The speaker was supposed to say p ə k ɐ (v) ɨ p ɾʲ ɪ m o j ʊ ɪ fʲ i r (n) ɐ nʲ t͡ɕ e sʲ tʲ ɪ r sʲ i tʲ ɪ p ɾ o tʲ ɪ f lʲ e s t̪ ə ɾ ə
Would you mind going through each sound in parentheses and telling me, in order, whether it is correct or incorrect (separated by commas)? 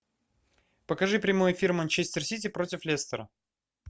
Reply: incorrect, incorrect